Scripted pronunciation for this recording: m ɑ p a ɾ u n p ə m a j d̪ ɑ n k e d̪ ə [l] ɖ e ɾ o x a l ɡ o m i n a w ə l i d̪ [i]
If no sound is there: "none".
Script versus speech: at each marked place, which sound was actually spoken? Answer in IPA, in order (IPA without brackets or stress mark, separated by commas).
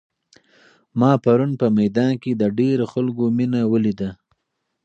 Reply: none, a